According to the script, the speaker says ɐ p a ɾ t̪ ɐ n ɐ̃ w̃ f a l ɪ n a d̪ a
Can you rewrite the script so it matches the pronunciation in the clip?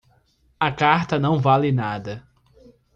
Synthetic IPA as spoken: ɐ k a ɾ t̪ ɐ n ɐ̃ w̃ v a l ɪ n a d̪ ɐ

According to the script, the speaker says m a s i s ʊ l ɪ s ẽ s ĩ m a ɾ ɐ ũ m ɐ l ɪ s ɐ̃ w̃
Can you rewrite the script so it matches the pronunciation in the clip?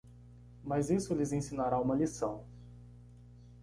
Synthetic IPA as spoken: m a z i s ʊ l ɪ z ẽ s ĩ n a ɾ a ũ m ɐ l i s ɐ̃ w̃

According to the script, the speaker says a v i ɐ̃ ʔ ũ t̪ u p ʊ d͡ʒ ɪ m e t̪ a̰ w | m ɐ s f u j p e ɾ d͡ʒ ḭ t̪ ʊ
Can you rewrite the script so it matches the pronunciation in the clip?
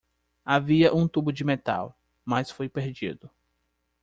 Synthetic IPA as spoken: a v i ɐ ʔ ũ t̪ u b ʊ d͡ʒ ɪ m e t̪ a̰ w | m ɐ s f o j p e ɾ d͡ʒ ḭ d̪ ʊ

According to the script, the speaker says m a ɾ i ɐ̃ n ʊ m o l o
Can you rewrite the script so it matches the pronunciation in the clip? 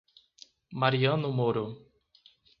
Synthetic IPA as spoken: m a ɾ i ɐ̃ n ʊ m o ɾ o

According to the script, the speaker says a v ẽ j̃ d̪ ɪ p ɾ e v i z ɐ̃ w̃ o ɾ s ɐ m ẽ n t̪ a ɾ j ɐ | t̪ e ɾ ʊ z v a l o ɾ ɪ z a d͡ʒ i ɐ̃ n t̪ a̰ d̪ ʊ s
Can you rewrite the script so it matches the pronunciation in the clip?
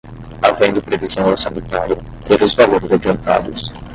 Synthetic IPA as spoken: a v ẽ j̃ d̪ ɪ p ɾ e v i z ɐ̃ w̃ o ɾ s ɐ m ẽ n t̪ a ɾ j ɐ | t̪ e ɾ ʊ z v a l o ɾ ɪ z a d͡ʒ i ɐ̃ n t̪ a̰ d̪ ʊ s

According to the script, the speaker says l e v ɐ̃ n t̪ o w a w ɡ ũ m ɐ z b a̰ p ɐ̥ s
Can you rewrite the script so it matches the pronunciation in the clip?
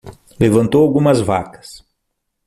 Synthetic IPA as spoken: l e v ɐ̃ n t̪ o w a w ɡ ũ m ɐ z v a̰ k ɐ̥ s

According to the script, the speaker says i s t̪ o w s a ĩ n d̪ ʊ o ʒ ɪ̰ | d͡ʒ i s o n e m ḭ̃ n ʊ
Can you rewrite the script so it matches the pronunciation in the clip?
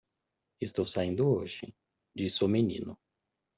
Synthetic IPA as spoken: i s t̪ o w s a ĩ n d̪ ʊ o ʒ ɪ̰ | d͡ʒ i s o m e n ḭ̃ n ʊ

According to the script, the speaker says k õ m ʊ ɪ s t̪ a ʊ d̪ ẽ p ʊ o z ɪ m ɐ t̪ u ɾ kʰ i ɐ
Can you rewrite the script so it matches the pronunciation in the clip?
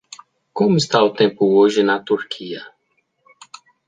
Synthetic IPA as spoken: k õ m ʊ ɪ s t̪ a ʊ t̪ ẽ p ʊ o ʒ ɪ n ɐ t̪ u ɾ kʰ i ɐ

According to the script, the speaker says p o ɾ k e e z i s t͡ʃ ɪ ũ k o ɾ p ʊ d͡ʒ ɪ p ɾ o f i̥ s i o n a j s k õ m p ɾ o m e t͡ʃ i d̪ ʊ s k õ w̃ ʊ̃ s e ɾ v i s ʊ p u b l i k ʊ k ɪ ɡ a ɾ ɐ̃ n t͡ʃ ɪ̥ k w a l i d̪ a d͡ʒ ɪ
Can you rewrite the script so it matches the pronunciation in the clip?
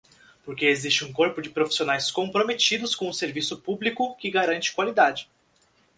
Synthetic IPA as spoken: p o ɾ k e e z i s t͡ʃ ɪ ũ k o ɾ p ʊ d͡ʒ ɪ p ɾ o f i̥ s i o n a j s k õ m p ɾ o m e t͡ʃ i d̪ ʊ s k õ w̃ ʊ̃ s e ɾ v i s ʊ p u b l i k ʊ k ɪ ɡ a ɾ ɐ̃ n t͡ʃ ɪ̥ k w a l i d̪ a d͡ʒ ɪ

